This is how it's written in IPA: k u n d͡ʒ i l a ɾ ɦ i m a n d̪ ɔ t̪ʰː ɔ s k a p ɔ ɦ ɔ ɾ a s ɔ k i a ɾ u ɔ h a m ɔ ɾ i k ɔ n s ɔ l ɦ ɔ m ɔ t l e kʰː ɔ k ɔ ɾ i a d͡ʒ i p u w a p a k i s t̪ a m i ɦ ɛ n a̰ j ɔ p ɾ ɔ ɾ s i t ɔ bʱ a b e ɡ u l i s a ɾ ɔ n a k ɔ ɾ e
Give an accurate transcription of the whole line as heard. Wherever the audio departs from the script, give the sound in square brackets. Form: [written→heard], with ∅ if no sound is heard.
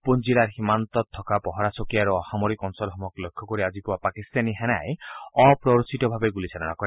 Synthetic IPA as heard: [k→p] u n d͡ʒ i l a ɾ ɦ i m a n [d̪→t̪] ɔ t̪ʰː ɔ [s→∅] k a p ɔ ɦ ɔ ɾ a s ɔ k i a ɾ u ɔ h a m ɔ ɾ i k ɔ n s ɔ l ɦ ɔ m ɔ [t→k] l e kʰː ɔ k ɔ ɾ i a d͡ʒ i p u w a p a k i s t̪ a [m→n] i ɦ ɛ n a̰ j ɔ p ɾ ɔ ɾ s i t ɔ bʱ a b e ɡ u l i s a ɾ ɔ n a k ɔ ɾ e